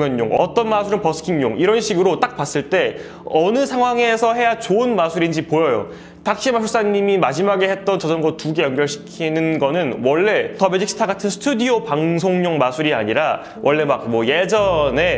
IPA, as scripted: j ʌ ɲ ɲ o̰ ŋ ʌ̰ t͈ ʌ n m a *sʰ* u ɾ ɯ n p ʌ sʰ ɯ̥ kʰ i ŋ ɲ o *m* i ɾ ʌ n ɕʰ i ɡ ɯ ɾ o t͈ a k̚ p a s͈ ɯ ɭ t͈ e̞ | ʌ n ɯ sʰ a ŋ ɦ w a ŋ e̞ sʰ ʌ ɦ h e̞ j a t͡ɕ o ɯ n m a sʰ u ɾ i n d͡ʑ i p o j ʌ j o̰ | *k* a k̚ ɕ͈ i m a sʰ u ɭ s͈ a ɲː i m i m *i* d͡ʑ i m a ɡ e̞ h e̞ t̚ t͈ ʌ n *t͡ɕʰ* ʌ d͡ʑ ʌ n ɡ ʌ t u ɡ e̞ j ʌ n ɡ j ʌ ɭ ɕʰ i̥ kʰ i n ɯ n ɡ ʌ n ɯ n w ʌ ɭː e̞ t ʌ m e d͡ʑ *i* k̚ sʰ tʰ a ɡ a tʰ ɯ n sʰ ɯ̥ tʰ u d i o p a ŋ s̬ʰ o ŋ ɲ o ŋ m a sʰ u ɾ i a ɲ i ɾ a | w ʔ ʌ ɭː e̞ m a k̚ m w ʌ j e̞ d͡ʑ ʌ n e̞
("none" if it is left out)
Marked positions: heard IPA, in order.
sʰ, ŋ, t, a, t͡ɕ, i

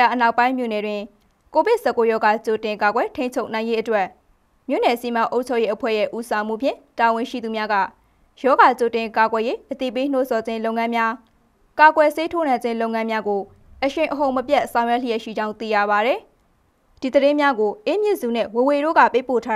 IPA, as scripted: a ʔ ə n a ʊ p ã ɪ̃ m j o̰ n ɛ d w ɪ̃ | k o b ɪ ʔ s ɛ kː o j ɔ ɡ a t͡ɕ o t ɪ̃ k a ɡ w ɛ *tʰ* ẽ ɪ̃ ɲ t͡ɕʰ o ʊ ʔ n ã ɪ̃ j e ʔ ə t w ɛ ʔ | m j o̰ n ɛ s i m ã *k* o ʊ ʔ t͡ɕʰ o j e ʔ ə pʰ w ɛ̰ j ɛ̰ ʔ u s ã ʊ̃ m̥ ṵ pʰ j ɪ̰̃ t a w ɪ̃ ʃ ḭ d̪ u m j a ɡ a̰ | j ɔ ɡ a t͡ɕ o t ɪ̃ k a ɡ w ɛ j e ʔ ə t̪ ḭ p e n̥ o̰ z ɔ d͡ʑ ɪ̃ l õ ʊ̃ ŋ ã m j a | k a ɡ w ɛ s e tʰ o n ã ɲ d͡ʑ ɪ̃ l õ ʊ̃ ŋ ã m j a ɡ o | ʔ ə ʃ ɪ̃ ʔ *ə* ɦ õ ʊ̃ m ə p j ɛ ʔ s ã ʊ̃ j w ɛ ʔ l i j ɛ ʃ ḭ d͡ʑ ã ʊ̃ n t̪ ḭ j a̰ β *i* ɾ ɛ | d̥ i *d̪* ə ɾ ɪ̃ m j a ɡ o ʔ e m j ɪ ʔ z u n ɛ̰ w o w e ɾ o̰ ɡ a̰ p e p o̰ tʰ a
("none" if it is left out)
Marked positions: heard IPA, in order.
tʰ, ʔ, ə, a, d̪

